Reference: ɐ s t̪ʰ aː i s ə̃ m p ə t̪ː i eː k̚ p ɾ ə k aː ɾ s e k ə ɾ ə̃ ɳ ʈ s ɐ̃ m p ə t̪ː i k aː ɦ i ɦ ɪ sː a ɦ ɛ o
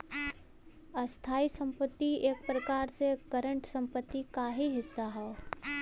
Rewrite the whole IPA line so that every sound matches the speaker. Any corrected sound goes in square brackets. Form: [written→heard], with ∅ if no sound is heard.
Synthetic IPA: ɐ s t̪ʰ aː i s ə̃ m p ə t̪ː i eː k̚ p ɾ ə k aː ɾ s e k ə ɾ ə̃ ɳ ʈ s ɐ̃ m p ə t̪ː i k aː ɦ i ɦ ɪ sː a ɦ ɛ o